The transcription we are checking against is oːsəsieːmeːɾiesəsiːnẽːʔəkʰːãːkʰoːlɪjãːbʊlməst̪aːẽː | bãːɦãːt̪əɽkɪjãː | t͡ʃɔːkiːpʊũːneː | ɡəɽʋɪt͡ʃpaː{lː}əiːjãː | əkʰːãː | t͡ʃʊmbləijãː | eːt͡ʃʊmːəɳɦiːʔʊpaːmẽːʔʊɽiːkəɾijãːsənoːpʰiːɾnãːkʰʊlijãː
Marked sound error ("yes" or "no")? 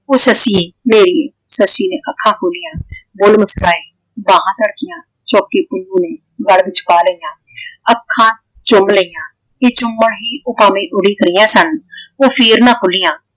yes